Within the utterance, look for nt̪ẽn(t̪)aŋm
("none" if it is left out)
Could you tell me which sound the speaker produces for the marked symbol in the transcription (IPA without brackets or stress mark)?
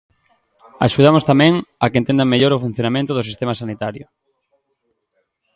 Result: d̪